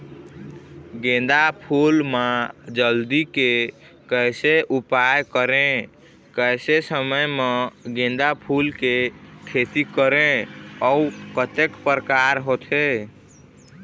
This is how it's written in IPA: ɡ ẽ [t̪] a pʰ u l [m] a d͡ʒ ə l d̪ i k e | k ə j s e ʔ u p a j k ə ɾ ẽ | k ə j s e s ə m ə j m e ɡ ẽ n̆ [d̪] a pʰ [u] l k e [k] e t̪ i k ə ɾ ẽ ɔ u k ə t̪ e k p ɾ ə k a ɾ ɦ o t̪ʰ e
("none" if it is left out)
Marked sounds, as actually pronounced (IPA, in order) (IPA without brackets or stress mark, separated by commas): d̪, m, d̪, u, kʰ